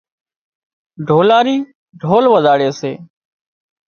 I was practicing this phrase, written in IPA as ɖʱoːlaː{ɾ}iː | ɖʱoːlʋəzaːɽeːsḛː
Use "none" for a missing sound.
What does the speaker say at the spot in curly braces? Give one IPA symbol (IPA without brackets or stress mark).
ɾ